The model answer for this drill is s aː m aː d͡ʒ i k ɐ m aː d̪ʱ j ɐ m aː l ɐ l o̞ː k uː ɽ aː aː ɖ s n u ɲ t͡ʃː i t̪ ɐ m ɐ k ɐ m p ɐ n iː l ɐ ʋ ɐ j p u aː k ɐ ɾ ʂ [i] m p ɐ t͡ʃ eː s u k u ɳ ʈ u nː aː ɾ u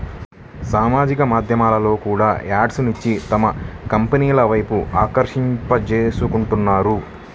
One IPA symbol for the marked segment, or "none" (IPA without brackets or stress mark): i